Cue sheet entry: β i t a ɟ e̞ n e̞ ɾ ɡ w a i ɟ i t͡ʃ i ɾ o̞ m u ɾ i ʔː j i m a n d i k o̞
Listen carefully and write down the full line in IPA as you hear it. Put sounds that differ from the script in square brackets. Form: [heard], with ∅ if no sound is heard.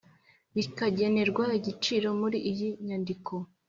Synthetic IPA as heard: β i [k] a ɟ e̞ n e̞ ɾ ɡ w a i ɟ i t͡ʃ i ɾ o̞ m u ɾ i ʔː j i [ɲ] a n d i k o̞

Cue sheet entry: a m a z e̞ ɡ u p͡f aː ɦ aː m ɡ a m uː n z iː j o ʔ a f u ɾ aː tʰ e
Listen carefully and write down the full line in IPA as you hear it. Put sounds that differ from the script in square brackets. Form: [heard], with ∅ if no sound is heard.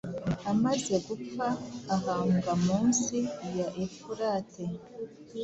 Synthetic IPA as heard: a m a z e̞ ɡ u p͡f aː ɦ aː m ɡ a m uː n [s] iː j o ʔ [e] f u ɾ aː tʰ e

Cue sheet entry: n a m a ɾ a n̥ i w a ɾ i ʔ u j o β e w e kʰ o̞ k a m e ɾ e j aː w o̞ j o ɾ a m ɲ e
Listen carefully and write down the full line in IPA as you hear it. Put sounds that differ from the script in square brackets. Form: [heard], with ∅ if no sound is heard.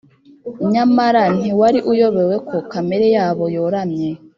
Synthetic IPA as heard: [ɲ] a m a ɾ a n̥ i w a ɾ i ʔ u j o β e w e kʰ o̞ k a m e ɾ e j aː [β] o̞ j o ɾ a m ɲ e

